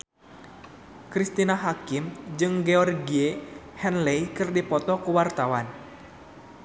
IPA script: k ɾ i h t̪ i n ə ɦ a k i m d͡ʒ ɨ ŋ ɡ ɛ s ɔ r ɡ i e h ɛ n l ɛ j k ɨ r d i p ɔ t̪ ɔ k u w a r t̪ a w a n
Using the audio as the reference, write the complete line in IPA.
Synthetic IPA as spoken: k ɾ i s t̪ i n a ɦ a k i m d͡ʒ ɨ ŋ ɡ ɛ ɔ r ɡ i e h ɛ n l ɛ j k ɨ r d i p ɔ t̪ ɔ k u w a r t̪ a w a n